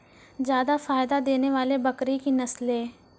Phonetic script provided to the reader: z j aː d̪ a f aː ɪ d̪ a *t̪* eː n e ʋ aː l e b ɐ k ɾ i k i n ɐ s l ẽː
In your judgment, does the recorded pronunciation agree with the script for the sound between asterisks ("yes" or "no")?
no